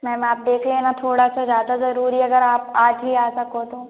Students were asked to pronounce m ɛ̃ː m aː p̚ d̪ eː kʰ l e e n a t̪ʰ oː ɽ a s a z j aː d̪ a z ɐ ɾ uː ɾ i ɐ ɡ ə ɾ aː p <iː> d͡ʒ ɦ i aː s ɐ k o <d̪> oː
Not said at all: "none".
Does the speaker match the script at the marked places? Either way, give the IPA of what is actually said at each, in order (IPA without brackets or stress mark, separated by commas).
aː, t̪